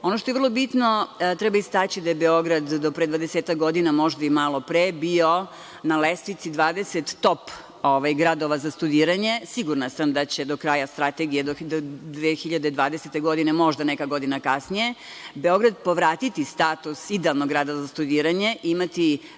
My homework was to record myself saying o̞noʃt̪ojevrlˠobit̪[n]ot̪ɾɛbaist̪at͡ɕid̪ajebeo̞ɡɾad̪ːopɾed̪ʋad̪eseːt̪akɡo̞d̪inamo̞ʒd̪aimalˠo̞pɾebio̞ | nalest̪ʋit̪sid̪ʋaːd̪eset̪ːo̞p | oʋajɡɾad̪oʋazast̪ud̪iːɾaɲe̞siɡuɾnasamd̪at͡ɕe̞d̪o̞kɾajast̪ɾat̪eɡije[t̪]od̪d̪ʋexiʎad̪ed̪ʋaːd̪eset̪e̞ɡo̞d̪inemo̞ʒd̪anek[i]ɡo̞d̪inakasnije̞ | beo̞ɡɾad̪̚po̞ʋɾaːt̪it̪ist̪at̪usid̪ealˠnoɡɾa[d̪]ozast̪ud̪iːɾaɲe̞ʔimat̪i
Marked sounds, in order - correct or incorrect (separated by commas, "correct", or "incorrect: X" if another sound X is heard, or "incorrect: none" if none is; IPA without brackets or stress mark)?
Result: correct, incorrect: d̪, incorrect: a, correct